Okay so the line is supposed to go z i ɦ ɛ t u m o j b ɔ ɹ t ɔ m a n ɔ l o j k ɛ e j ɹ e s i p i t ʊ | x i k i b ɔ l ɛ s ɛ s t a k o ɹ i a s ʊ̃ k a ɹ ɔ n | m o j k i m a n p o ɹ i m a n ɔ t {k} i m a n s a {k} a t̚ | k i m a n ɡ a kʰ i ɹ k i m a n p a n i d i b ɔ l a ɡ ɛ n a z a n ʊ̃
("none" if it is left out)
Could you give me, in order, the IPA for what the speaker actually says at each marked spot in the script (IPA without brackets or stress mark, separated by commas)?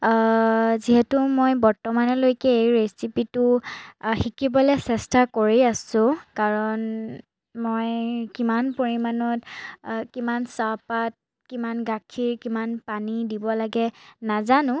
k, p